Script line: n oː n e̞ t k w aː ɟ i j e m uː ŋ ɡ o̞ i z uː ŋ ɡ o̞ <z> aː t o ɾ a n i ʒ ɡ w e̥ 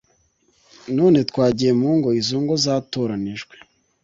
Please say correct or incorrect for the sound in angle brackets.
correct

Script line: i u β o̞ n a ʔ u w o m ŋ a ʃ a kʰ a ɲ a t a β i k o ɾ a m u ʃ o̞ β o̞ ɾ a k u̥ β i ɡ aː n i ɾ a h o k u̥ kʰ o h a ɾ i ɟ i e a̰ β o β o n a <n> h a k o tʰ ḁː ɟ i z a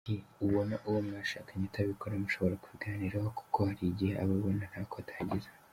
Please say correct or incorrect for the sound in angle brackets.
correct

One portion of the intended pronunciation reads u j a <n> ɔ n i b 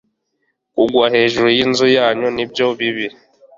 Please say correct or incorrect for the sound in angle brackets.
incorrect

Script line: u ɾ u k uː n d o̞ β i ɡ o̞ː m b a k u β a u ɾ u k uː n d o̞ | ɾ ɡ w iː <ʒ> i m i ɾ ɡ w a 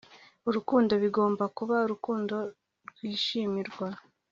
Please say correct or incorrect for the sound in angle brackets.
incorrect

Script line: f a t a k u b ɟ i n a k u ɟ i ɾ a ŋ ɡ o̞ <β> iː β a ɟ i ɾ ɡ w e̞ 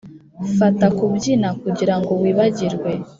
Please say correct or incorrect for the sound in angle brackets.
incorrect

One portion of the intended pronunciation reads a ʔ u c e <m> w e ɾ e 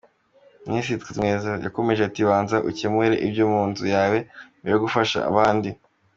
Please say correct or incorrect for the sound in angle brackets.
correct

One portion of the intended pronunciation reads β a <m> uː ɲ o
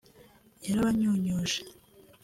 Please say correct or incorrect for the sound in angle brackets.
incorrect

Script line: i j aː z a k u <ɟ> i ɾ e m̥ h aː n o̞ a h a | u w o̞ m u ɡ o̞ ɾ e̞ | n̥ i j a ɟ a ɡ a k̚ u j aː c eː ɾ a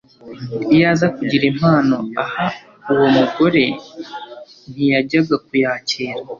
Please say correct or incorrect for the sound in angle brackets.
correct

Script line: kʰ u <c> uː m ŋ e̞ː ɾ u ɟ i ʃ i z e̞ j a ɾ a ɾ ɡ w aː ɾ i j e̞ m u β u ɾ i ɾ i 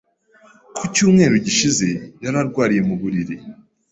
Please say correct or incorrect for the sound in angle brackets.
correct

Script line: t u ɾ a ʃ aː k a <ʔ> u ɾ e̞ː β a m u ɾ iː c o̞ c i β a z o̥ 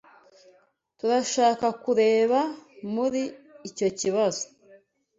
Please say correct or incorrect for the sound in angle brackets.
incorrect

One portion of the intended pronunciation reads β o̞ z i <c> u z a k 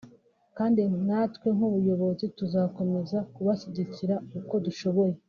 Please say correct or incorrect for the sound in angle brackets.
incorrect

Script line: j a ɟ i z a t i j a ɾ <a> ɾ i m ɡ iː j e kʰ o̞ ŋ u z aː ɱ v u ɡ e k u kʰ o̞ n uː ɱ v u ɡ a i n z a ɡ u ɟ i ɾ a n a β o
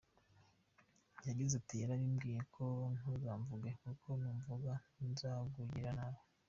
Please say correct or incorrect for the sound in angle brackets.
correct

